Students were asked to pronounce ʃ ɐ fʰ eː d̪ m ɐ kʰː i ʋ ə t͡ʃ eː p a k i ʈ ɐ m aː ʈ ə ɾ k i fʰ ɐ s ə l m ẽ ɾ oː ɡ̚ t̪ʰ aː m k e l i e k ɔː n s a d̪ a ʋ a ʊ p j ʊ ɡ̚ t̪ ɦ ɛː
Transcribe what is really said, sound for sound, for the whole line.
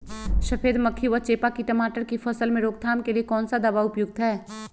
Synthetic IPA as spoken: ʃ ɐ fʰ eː d̪ m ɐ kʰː i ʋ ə t͡ʃ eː p a k i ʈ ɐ m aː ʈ ə ɾ k i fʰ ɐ s ə l m ẽ ɾ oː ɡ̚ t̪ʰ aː m k e l i e k ɔː n s a d̪ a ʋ a ʊ p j ʊ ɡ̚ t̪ ɦ ɛː